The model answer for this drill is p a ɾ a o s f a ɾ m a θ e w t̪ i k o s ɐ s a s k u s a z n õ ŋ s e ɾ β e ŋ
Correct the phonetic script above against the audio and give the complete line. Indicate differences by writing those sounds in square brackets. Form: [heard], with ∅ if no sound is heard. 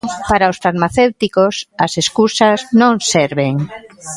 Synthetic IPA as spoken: p a ɾ a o s f a ɾ m a θ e w t̪ i k o s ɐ s [e] s k u s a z n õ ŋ s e ɾ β e ŋ